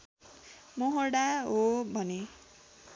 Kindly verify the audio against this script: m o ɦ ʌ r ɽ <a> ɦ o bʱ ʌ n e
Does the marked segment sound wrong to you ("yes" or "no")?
no